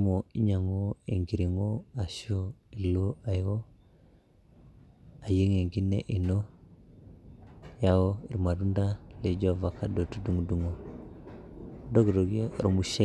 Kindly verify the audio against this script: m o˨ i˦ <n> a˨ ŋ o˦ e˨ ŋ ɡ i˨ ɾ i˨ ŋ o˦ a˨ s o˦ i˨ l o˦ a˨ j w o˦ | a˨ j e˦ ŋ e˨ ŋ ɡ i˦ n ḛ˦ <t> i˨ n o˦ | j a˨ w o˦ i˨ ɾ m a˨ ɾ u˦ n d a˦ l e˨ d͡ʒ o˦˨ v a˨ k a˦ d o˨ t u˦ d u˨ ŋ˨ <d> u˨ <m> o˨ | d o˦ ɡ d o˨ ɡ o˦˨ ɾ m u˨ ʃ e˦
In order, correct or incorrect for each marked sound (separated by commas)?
incorrect, incorrect, correct, incorrect